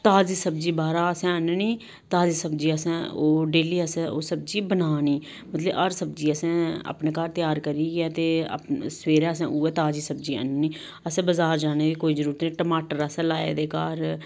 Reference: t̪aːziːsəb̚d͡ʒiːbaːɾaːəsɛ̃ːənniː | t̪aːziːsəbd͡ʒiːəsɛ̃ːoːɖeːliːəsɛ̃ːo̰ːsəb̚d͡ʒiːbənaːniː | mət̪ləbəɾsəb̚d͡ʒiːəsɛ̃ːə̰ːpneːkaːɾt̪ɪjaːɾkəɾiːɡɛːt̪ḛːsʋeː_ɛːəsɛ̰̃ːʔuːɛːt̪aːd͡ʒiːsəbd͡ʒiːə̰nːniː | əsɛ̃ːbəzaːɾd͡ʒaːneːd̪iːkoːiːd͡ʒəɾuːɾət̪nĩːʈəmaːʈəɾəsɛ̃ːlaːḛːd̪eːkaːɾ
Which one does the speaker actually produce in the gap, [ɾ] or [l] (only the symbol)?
ɾ